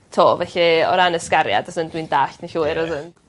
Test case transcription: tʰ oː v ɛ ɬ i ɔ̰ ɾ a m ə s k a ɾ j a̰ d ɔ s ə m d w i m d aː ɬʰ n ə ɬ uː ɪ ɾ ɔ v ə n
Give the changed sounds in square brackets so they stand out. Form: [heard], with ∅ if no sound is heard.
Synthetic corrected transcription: tʰ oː v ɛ ɬ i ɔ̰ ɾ a [n] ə s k a ɾ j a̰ d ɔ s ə [n] d w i [n] d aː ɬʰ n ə ɬ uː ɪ ɾ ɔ [ð] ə n